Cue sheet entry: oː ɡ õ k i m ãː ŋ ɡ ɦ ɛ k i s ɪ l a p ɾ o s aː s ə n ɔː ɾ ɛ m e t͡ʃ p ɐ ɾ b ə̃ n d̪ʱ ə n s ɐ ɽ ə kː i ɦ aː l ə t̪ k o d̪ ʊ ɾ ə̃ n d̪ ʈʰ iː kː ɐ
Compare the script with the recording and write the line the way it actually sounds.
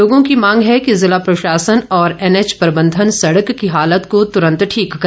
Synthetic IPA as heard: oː ɡ õ k i m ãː ŋ ɡ ɦ ɛ k i z ɪ l a p ɾ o ʃ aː s ə n ɔː ɾ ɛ n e t͡ʃ p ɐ ɾ b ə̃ n d̪ʱ ə n s ɐ ɽ ə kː i ɦ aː l ə t̪ k o t̪ ʊ ɾ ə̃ n t̪ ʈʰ iː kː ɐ